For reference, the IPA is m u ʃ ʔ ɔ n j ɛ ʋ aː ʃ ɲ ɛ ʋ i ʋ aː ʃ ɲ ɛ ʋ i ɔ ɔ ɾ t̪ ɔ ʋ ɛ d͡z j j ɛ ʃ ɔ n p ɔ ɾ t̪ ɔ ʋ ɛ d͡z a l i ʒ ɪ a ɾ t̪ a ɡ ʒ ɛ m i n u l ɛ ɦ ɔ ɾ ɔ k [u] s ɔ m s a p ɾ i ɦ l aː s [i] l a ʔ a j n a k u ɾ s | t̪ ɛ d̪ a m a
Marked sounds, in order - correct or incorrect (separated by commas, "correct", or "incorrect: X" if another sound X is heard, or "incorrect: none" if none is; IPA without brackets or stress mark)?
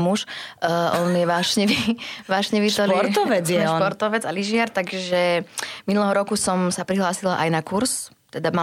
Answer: correct, correct